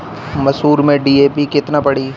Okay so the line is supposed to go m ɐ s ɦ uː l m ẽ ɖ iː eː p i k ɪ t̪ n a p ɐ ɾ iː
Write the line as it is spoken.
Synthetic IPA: m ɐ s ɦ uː ɾ m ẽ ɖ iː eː p i k ɪ t̪ n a p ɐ ɽ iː